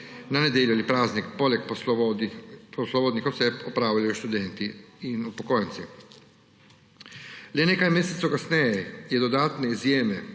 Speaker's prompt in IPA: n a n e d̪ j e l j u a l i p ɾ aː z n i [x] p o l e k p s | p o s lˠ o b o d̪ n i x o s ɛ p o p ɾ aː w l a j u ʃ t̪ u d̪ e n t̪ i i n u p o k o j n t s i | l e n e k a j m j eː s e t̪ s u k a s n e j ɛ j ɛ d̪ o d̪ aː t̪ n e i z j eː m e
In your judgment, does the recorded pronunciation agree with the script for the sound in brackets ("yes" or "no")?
no